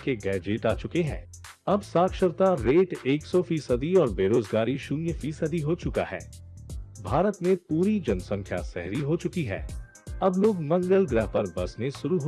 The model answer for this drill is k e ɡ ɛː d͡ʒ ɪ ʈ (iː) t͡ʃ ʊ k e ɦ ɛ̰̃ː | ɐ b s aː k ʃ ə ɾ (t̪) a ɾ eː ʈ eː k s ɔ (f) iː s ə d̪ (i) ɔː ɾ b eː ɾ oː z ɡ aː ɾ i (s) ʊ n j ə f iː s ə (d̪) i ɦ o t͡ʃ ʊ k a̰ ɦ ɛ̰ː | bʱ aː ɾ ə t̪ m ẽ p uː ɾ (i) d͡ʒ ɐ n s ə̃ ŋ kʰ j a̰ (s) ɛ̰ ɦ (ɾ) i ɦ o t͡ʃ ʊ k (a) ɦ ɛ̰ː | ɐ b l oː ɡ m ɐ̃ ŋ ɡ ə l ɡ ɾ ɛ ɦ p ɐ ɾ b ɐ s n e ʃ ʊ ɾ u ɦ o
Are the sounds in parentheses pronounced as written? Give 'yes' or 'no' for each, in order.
no, yes, yes, yes, no, yes, yes, yes, yes, no

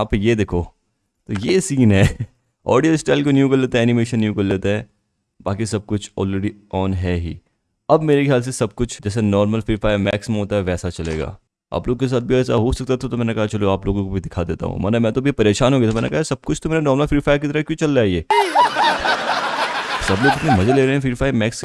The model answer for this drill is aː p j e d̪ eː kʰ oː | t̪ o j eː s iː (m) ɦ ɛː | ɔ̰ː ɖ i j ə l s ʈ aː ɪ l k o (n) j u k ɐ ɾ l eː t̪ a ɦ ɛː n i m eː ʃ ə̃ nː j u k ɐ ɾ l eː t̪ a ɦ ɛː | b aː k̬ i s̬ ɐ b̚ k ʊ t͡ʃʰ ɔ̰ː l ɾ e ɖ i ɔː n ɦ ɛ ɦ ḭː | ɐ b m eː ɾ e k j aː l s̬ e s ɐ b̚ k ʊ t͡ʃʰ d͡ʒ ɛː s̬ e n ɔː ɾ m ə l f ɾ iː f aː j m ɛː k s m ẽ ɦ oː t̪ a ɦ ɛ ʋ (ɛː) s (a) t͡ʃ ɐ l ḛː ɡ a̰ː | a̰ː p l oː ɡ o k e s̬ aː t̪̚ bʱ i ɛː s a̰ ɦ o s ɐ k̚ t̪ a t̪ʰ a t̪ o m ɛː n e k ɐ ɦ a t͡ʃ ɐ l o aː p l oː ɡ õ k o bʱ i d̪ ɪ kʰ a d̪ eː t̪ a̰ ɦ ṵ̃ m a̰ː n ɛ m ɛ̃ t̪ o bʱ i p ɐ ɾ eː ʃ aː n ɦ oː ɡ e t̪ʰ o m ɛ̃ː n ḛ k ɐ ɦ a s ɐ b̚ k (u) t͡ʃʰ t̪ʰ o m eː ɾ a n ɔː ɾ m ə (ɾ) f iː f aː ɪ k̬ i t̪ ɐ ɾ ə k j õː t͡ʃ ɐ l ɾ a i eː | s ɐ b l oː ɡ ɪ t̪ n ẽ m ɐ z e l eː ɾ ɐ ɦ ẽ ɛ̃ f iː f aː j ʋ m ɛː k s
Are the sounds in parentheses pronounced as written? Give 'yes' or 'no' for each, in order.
no, yes, yes, yes, no, no

